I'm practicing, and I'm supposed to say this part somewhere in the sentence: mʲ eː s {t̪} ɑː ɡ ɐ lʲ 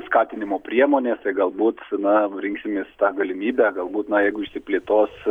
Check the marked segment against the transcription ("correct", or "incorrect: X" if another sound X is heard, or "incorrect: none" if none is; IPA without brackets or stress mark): correct